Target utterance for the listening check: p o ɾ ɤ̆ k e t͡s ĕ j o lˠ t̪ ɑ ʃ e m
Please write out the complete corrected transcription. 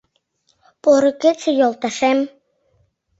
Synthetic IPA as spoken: p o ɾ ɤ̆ k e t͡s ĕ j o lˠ t̪ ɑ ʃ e m